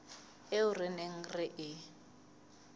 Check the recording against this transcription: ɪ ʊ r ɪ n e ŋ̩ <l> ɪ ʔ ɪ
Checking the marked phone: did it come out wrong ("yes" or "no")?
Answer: yes